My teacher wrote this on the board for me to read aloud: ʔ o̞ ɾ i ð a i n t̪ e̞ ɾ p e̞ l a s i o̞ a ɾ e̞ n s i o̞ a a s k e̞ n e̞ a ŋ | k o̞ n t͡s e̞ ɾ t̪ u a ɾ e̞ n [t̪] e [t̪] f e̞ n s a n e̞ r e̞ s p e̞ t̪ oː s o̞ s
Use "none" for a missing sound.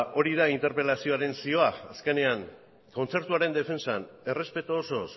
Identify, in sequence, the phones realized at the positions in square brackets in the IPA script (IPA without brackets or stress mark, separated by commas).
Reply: d̪, none